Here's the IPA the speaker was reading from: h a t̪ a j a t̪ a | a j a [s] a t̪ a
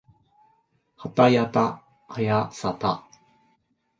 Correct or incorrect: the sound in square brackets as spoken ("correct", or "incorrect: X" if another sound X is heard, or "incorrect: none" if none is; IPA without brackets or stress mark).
correct